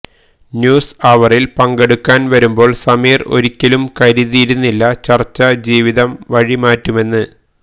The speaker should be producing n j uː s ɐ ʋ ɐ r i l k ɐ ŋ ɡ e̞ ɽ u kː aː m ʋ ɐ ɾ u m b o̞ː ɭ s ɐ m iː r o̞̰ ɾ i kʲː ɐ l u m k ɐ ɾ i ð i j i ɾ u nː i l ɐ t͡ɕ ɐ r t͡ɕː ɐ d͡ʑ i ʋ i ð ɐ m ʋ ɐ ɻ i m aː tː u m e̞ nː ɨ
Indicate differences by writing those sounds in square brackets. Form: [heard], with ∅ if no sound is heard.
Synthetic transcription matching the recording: n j uː s ɐ ʋ ɐ r i l [p] ɐ ŋ ɡ e̞ ɽ u kː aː [n] ʋ ɐ ɾ u m b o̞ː ɭ s ɐ m iː r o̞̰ ɾ i kʲː ɐ l u m k ɐ ɾ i ð i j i ɾ u nː i [lː] ɐ t͡ɕ ɐ r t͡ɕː ɐ d͡ʑ [iː] ʋ i ð ɐ m ʋ ɐ ɻ i m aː tː u m e̞ nː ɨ